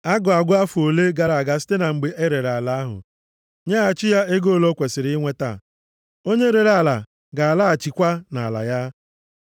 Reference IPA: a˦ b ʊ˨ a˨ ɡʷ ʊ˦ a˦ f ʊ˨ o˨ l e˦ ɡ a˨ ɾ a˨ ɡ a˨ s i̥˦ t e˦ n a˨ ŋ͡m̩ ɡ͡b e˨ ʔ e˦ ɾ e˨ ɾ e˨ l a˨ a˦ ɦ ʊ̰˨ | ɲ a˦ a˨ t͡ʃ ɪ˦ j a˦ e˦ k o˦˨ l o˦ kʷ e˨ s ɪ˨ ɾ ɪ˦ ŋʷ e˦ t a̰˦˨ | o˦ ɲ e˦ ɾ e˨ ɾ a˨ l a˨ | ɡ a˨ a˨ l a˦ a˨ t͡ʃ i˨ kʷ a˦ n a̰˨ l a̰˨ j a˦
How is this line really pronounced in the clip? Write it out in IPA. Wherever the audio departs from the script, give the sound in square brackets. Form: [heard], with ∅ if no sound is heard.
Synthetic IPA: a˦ [ɡ] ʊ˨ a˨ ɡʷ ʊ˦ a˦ f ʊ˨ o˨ l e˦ ɡ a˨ ɾ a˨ ɡ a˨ s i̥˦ t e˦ n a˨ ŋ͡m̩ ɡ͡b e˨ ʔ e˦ ɾ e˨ ɾ [a˨] l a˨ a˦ ɦ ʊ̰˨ | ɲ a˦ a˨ t͡ʃ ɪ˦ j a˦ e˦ [ɡ] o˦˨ l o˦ kʷ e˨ s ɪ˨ ɾ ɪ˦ ŋʷ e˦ t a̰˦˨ | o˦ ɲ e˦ ɾ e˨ ɾ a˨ l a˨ | ɡ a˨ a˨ l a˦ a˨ t͡ʃ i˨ kʷ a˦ n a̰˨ l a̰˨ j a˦